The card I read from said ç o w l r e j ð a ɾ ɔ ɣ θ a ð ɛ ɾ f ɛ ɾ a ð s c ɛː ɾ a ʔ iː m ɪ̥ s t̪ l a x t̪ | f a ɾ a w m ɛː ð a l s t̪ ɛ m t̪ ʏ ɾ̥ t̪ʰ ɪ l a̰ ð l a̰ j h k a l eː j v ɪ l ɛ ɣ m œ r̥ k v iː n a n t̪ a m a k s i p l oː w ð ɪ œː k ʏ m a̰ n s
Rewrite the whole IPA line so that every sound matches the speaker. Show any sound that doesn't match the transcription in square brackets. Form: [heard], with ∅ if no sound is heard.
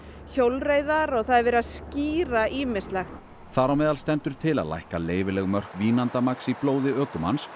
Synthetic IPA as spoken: ç o w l r e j ð a ɾ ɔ ɣ θ a ð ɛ ɾ [v] ɛ ɾ a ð s c [iː] ɾ a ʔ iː m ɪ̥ s t̪ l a x t̪ | [θ] a ɾ a w m ɛː ð a l s t̪ ɛ [n] t̪ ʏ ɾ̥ t̪ʰ ɪ l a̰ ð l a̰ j h k a l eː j v ɪ l ɛ ɣ m œ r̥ k v iː n a n t̪ a m a k s i p l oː w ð ɪ œː k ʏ m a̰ n s

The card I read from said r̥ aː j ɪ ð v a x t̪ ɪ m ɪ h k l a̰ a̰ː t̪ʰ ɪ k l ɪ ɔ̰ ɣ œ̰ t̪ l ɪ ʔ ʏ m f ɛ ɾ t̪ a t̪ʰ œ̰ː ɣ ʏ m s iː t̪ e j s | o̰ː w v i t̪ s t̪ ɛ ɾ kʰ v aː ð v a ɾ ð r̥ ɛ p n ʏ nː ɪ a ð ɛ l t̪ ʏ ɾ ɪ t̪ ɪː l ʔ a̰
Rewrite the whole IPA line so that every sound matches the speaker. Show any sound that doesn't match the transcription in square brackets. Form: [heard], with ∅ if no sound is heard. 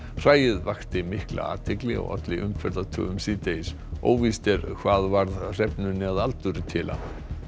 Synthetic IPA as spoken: r̥ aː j ɪ ð v a x t̪ ɪ m ɪ h k l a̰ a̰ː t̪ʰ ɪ k l ɪ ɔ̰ ɣ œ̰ t̪ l ɪ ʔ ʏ m f ɛ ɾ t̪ a t̪ʰ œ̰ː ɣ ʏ m s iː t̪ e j s | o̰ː w v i [∅] s t̪ ɛ ɾ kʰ v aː ð v a ɾ ð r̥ ɛ p n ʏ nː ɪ a ð [a] l t̪ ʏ ɾ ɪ [t̪ʰ] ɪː l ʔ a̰

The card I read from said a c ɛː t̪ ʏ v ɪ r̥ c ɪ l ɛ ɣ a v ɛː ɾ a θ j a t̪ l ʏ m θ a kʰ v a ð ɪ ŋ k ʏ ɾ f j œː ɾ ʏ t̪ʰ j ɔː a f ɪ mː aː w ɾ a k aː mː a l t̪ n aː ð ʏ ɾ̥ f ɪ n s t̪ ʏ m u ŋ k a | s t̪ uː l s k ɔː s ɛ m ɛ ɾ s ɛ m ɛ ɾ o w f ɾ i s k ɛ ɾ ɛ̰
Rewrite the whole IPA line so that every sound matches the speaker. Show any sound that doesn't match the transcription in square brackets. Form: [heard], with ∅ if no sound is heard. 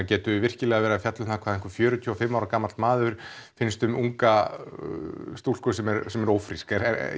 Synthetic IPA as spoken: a c ɛː t̪ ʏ v ɪ r̥ c ɪ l ɛ ɣ a v ɛː ɾ a [f] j a t̪ l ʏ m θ a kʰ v a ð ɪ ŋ k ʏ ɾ f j œː ɾ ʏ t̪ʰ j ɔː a f ɪ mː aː w ɾ a k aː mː a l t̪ [m] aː ð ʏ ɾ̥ f ɪ n s t̪ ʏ m u ŋ k a | s t̪ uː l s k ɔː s ɛ m ɛ ɾ s ɛ m ɛ ɾ o w f ɾ i s k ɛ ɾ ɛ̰

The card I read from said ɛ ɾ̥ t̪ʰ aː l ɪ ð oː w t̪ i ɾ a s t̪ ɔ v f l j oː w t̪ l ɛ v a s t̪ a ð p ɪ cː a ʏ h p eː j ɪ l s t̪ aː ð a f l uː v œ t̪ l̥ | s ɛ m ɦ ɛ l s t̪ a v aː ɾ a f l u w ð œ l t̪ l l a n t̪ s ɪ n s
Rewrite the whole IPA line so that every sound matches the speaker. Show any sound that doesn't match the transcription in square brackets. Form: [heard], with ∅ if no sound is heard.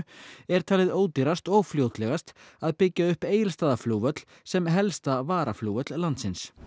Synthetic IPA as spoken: ɛ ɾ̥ t̪ʰ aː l ɪ ð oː w t̪ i ɾ a s t̪ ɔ [ɣ] f l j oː w t̪ l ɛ [ɣ] a s t̪ a ð p ɪ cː a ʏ h p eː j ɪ l s t̪ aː ð a f l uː v œ t̪ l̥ | s ɛ m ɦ ɛ l s t̪ a v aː ɾ a f l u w [v] œ [∅] t̪ l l a n t̪ s ɪ n s

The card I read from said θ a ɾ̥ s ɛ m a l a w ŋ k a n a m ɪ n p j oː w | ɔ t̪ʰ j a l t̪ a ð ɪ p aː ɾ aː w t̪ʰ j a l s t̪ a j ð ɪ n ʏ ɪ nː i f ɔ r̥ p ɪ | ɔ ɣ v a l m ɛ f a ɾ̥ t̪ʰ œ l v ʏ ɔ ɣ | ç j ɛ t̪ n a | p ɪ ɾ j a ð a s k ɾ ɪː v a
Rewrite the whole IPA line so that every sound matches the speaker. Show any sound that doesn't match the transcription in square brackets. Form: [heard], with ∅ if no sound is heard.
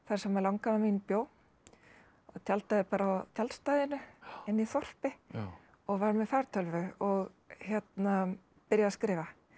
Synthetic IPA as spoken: θ a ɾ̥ s ɛ m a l a w ŋ k a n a m [i] n p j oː w | ɔ t̪ʰ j a l t̪ a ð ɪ p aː ɾ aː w t̪ʰ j a l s t̪ a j ð ɪ n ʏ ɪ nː i [θ] ɔ r̥ p ɪ | ɔ ɣ v a [ɾ] m ɛ f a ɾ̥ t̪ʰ œ l v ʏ ɔ ɣ | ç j ɛ t̪ n a | p ɪ ɾ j a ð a s k ɾ ɪː v a

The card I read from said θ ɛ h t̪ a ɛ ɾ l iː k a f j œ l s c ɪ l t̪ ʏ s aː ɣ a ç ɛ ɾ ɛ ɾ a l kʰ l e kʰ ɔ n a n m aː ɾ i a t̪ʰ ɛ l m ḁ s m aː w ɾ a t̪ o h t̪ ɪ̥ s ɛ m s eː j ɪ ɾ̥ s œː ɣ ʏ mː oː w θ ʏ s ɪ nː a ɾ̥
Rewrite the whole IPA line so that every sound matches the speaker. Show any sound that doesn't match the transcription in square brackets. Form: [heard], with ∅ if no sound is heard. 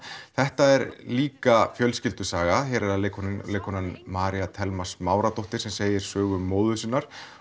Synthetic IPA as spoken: θ ɛ h t̪ a ɛ ɾ l iː k a f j œ l s c ɪ l t̪ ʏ s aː ɣ a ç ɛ ɾ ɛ ɾ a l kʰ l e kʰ ɔ n a n m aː ɾ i a t̪ʰ ɛ l m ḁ s m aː w ɾ a t̪ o h t̪ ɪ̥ s ɛ m s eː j ɪ ɾ̥ s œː ɣ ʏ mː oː w [ð] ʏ s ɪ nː a ɾ̥

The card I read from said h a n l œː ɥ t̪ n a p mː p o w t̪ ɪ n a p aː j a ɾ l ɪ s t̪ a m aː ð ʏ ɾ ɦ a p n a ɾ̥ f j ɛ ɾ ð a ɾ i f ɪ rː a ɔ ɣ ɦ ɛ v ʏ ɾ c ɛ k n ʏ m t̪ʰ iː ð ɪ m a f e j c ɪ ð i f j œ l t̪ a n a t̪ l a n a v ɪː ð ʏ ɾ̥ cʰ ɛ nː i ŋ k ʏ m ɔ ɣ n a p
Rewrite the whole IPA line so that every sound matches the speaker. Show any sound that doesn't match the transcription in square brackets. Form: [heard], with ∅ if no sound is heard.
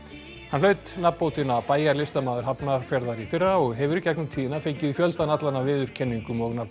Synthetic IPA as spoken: h a n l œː ɥ t̪ n a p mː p o w t̪ ɪ n a p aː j a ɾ l ɪ s t̪ a m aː ð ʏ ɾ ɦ a p n a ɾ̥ f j ɛ ɾ ð a ɾ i f ɪ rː a ɔ ɣ ɦ ɛ v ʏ ɾ c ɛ k n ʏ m t̪ʰ iː ð ɪ [n] a f e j c ɪ ð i f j œ l t̪ a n a t̪ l a n a v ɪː ð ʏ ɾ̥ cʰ ɛ nː i ŋ k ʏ m ɔ ɣ n a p

